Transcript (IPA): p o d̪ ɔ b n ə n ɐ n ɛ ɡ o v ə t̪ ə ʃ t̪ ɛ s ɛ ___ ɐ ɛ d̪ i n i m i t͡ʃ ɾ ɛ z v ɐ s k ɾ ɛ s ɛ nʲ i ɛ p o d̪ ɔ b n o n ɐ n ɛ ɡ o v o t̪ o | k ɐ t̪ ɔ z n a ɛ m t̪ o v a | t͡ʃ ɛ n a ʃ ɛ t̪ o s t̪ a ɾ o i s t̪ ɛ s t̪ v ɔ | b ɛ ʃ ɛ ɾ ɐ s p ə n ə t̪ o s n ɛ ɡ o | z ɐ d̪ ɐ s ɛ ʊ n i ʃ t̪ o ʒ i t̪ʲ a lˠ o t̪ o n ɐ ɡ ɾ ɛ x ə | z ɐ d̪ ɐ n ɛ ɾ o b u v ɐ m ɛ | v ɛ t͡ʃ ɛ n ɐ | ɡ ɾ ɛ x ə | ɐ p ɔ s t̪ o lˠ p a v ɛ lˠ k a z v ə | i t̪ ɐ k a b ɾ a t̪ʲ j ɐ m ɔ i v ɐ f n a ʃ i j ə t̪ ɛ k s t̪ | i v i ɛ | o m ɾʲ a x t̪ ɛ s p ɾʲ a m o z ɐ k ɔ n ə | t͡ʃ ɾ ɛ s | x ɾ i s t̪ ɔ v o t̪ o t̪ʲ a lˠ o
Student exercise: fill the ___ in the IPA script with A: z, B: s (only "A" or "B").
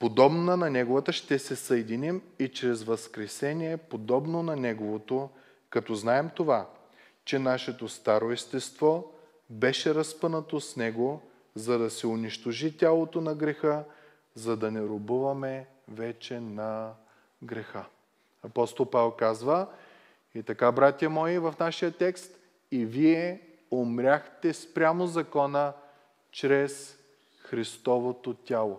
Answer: B